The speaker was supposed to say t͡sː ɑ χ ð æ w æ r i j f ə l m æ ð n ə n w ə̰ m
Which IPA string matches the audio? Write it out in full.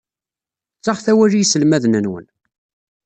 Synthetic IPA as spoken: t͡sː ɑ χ θ æ w æ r i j s ə l m æ ð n ə n w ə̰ n